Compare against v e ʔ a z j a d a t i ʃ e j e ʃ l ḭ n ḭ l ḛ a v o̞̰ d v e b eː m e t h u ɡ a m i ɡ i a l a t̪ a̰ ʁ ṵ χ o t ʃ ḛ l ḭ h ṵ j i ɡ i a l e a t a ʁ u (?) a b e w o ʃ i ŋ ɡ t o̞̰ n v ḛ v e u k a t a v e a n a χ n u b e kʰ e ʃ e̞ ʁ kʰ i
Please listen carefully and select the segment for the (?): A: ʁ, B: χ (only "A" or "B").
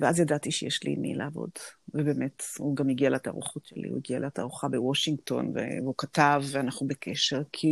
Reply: B